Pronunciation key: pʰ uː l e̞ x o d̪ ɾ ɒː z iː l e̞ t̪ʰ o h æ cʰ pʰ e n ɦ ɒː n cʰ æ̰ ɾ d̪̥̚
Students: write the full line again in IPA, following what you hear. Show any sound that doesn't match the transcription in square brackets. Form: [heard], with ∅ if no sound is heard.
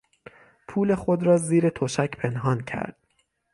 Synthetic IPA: pʰ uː l e̞ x o d̪ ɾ ɒː z iː [ɾ] e̞ t̪ʰ o [ʃ] æ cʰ pʰ e n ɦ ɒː n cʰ æ̰ ɾ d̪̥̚